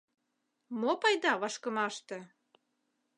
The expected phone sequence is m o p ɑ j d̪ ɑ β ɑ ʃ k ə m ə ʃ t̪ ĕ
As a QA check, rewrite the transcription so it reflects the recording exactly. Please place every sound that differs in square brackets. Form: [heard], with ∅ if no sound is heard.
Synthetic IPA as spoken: m o p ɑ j d̪ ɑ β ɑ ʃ k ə m [ɑ] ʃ t̪ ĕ